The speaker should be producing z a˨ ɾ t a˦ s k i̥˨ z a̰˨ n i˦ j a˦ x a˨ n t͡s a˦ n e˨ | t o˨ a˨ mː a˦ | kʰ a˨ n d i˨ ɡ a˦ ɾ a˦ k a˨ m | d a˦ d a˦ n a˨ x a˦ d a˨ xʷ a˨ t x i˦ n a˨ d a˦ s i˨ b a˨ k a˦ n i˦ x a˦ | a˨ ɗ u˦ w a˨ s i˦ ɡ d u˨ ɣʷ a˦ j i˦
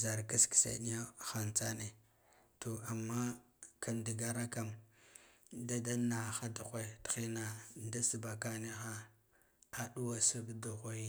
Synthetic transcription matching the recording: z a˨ ɾ k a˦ s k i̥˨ s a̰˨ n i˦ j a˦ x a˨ n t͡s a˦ n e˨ | t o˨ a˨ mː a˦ | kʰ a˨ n d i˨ ɡ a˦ ɾ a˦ k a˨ m | d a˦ d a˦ n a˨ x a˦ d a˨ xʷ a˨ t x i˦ n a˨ d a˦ s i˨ b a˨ k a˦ n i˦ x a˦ | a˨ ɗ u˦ w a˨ s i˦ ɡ d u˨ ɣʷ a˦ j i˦